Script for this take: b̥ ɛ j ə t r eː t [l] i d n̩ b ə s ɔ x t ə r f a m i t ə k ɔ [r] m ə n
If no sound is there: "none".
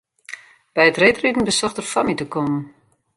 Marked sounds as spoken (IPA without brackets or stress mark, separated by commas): r, none